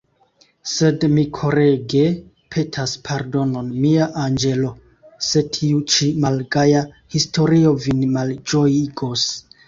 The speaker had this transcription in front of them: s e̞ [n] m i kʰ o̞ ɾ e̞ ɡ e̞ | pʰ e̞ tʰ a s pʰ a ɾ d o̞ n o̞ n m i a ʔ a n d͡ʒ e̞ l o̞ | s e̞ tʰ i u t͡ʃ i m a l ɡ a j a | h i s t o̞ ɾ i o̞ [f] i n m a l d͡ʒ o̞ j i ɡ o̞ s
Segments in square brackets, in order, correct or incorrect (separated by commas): incorrect, incorrect